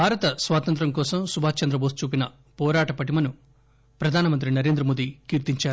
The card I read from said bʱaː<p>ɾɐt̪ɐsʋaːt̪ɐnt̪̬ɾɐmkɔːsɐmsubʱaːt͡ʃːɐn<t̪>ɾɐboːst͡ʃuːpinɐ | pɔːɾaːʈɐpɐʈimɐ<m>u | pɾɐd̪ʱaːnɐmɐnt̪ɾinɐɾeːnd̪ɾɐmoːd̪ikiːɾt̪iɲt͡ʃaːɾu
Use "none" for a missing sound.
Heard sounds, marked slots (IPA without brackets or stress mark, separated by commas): none, d̪, n